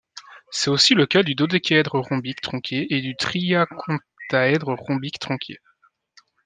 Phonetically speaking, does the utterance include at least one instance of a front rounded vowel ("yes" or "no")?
yes